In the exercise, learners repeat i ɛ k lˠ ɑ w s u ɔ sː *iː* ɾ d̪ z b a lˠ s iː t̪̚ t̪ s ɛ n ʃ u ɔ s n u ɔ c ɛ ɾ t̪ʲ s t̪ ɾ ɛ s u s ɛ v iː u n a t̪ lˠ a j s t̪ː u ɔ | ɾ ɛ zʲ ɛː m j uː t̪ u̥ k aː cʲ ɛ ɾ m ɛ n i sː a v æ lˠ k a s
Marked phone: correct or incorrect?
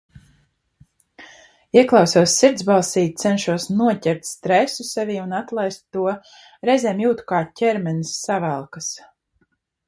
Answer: incorrect